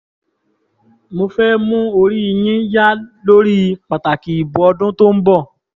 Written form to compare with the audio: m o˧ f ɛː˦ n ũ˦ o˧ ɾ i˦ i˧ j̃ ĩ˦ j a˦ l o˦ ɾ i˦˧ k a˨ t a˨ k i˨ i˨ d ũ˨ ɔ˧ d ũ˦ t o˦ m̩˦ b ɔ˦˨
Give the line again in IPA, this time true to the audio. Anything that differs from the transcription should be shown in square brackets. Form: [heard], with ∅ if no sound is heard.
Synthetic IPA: m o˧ f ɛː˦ [m] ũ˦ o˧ ɾ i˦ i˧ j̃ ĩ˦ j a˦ l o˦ ɾ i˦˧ [k͡p] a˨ t a˨ k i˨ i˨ [b] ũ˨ ɔ˧ d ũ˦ t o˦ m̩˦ b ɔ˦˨